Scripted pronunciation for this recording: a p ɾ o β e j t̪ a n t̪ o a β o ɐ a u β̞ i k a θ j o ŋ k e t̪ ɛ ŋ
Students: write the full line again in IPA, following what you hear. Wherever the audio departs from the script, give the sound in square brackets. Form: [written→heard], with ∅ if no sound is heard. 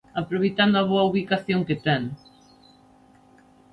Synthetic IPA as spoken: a p ɾ o β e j t̪ a n [t̪→d̪] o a β o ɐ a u β̞ i k a θ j o ŋ k e t̪ ɛ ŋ